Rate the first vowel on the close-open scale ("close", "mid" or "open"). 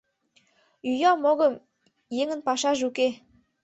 close